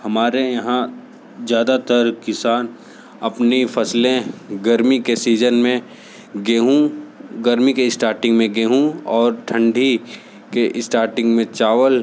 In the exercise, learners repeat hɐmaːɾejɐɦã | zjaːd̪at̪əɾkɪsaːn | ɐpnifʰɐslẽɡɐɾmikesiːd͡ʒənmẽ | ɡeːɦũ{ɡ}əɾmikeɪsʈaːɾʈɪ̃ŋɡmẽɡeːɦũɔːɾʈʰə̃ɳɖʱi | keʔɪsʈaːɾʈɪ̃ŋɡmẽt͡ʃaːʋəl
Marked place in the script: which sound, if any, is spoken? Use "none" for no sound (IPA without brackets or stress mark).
ɡ